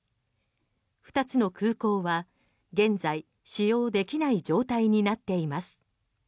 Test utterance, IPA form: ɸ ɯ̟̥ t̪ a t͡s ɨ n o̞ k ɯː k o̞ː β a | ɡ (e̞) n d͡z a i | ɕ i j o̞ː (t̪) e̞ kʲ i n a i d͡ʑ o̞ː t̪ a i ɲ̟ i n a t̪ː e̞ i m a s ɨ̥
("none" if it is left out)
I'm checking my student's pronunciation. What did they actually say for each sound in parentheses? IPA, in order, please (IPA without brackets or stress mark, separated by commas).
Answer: ẽ̞, d̪